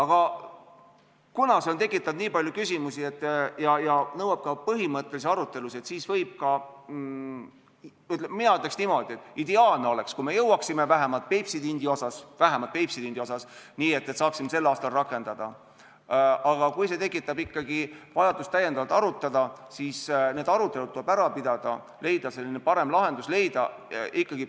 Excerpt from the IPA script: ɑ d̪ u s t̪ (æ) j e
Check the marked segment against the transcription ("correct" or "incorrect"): correct